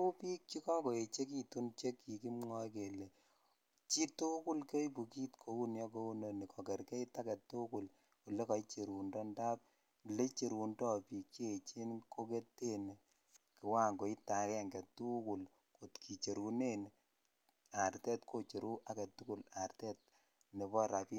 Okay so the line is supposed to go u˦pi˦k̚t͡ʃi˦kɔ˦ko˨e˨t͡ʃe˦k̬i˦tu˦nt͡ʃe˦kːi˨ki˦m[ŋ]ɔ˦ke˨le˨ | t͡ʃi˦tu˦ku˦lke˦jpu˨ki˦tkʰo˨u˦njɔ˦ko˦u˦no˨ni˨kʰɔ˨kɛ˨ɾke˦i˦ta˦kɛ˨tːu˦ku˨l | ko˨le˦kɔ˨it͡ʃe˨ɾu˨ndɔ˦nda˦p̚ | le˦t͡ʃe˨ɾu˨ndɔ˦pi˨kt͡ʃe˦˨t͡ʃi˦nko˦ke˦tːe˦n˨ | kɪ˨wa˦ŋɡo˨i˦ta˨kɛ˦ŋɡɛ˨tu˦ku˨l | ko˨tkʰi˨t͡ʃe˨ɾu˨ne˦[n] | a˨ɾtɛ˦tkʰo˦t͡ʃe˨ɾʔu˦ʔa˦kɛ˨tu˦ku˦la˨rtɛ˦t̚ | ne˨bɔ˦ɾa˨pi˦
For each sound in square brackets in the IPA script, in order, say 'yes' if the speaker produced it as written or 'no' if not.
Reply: yes, yes

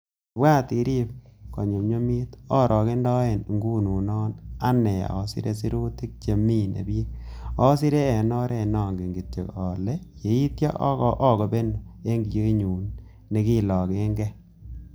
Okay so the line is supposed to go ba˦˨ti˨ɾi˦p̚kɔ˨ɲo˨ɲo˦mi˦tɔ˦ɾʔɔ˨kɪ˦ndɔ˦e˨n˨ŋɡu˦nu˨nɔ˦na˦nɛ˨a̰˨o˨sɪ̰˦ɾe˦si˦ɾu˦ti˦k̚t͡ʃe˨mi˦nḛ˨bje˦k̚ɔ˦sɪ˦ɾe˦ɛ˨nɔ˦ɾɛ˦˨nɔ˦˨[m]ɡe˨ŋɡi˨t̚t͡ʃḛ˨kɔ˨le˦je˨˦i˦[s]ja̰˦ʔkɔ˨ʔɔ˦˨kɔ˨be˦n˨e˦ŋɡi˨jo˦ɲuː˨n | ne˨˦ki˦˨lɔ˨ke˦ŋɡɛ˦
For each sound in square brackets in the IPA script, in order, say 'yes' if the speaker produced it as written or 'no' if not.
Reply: no, no

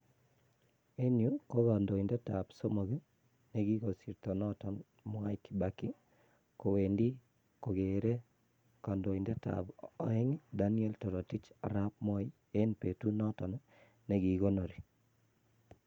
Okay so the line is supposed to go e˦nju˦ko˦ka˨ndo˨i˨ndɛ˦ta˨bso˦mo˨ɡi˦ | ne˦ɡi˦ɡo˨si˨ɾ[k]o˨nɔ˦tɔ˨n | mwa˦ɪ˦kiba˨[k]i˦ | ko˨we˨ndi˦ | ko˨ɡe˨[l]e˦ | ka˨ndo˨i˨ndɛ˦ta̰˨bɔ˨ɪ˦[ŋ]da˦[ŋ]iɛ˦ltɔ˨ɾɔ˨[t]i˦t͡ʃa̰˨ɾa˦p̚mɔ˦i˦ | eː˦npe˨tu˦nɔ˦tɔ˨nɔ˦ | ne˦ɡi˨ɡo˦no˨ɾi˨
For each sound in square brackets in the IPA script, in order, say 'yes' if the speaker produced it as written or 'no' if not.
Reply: no, yes, no, yes, no, yes

